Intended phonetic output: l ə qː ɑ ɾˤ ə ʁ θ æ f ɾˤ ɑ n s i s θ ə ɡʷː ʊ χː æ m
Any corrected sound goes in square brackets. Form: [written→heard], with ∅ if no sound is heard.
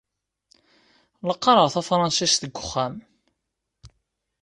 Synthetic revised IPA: l ə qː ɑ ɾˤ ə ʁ θ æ f ɾˤ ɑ n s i s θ ə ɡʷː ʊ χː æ m